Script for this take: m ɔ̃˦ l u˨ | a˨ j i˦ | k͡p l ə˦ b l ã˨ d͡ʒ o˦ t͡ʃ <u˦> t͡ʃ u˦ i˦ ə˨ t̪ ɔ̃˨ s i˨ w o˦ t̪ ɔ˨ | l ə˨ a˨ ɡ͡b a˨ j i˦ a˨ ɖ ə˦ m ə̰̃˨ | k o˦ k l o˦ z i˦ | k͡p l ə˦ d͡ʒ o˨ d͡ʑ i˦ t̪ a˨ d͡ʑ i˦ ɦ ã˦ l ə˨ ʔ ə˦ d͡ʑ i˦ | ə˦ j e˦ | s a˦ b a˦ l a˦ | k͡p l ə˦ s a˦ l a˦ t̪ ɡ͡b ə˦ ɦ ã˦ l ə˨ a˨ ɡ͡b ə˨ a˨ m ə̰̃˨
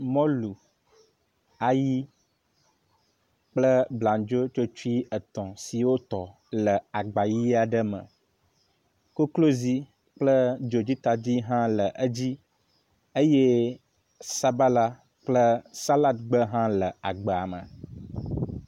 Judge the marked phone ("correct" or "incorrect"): incorrect